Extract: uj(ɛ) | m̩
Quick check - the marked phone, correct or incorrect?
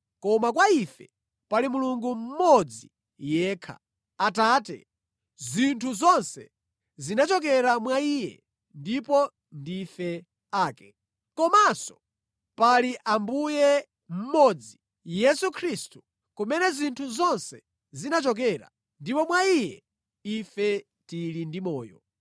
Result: correct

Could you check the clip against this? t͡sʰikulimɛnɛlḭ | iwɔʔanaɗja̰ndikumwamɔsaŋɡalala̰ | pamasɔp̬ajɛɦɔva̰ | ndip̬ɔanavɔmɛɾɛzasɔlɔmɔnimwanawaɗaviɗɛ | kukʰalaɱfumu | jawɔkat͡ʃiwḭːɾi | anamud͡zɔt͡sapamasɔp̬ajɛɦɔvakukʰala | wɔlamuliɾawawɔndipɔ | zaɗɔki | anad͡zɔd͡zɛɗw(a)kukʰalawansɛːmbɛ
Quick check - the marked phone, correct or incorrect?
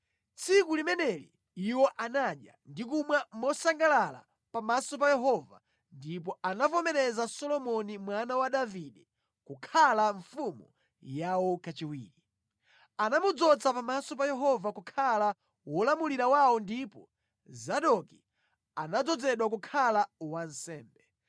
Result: correct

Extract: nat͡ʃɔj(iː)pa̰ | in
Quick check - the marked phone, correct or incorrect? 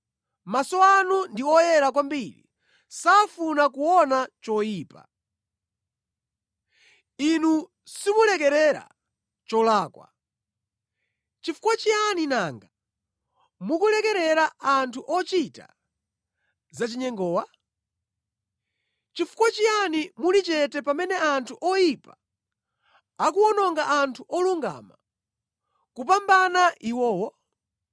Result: correct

